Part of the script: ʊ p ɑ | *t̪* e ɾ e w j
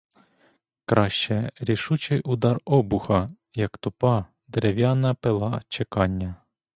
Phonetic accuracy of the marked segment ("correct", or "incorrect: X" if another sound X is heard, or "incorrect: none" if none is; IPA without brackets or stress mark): incorrect: d̪